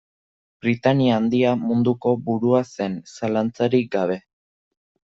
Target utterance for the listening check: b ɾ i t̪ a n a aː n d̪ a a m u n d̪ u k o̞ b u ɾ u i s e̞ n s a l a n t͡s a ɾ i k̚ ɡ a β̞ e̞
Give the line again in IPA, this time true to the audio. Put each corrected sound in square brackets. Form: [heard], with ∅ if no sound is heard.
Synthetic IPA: b ɾ i t̪ a n [i] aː n d̪ [i] a m u n d̪ u k o̞ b u ɾ u [a] s e̞ n s a l a n t͡s a ɾ i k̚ ɡ a β̞ e̞